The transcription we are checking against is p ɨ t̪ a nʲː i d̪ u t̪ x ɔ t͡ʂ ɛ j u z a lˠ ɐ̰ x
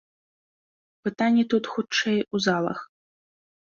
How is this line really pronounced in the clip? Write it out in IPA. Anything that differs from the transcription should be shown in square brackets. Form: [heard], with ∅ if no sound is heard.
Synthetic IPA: p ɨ t̪ a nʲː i [t̪] u t̪ x [u] t͡ʂ ɛ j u z a lˠ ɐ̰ x